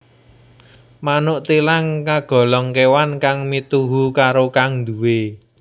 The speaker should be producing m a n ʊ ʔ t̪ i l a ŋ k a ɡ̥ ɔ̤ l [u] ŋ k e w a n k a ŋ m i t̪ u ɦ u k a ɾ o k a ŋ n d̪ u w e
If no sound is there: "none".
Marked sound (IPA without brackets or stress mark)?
ɔ